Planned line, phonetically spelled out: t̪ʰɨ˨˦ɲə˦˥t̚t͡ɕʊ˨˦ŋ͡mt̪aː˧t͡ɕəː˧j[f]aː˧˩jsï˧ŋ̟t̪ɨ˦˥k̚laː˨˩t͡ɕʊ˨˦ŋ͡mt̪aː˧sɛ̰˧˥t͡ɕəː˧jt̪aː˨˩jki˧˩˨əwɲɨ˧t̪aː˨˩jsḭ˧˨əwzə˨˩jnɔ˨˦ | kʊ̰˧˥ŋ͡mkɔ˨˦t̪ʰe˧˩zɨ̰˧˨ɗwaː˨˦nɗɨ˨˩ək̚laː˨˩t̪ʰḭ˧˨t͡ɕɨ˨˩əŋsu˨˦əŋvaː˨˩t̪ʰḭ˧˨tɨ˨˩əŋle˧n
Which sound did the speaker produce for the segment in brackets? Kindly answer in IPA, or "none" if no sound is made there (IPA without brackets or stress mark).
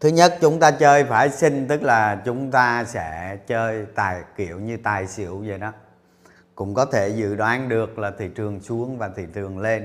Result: f